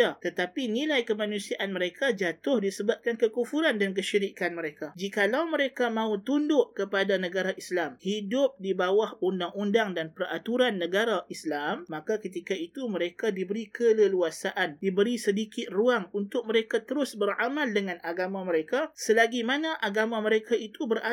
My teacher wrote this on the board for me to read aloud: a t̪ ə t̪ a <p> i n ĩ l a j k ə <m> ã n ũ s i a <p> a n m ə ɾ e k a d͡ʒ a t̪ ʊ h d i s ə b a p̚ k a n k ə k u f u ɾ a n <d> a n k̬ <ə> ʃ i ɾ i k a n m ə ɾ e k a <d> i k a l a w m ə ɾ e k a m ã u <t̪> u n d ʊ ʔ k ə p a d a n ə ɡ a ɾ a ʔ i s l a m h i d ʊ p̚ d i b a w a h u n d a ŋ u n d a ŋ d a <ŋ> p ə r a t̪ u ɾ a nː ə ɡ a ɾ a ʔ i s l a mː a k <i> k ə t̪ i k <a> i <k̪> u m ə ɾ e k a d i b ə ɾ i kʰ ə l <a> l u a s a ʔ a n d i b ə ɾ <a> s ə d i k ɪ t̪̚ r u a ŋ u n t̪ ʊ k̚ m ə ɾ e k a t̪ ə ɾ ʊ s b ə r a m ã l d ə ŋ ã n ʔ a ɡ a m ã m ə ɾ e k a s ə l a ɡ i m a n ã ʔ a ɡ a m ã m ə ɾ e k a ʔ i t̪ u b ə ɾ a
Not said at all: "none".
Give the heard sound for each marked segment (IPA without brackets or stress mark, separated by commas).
p, m, ʔ, d, ə, d͡ʒ, t̪, n, a, a, k̪, ə, i